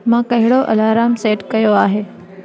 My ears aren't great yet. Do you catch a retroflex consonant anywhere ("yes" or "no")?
yes